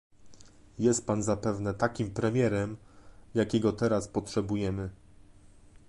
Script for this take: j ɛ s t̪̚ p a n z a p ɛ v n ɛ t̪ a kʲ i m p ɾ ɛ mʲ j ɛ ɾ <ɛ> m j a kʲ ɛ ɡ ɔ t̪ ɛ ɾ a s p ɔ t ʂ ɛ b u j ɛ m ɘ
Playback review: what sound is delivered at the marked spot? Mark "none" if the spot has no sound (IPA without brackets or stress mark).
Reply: ɛ